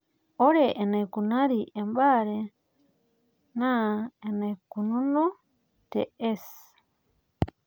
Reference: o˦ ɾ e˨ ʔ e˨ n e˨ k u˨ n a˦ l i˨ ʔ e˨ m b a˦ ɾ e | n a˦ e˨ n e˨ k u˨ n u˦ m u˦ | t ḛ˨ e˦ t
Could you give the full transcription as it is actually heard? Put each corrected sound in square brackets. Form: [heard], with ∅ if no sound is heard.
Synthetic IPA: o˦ ɾ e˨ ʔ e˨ n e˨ k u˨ n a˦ [ɾ] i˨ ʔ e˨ m b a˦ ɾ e | n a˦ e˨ n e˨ k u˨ n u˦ [n] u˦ | t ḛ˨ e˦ [s]